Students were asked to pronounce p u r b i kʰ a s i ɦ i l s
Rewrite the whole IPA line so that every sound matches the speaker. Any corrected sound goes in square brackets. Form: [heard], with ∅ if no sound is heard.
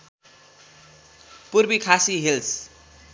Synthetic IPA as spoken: p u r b i kʰ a s i ɦ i l s